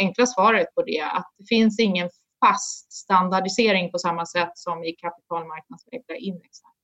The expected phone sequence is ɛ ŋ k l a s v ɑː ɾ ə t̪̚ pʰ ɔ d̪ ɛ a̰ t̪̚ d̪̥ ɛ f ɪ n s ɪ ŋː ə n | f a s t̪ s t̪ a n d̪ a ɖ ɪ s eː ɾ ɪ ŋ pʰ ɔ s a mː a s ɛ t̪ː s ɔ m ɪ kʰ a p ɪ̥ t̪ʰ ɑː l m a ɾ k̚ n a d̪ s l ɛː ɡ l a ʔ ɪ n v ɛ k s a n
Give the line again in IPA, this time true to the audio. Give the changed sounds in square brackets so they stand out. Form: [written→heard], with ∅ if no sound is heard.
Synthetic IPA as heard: ɛ ŋ k l a s v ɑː ɾ ə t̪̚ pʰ ɔ d̪ ɛ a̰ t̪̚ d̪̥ ɛ f ɪ n s ɪ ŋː ə n | f a s t̪ s t̪ a n d̪ a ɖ ɪ s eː ɾ ɪ ŋ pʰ ɔ s a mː a s ɛ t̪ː s ɔ m ɪ kʰ a p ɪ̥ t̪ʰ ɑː l m a ɾ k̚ n a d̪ s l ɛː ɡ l a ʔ ɪ n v ɛ k s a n